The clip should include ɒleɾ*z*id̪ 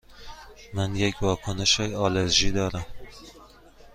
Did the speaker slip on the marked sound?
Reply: yes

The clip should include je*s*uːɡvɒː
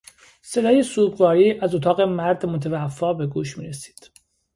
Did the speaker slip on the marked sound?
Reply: no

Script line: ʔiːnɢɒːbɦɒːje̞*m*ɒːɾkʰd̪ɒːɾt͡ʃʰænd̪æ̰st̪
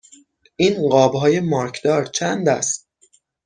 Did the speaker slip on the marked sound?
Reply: no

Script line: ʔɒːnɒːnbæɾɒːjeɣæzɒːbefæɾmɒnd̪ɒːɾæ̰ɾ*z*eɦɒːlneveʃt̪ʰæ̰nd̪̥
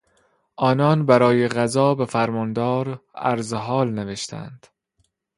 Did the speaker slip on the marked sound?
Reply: no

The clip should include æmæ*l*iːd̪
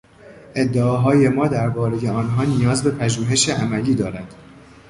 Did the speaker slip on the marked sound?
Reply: no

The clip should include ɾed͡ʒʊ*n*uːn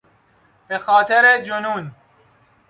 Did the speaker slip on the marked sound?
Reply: no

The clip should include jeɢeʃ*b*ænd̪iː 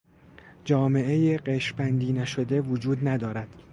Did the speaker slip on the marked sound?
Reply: no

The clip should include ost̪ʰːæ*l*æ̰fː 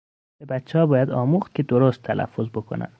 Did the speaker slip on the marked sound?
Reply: no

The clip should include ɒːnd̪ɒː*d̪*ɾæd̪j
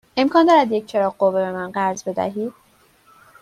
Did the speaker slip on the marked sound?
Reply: yes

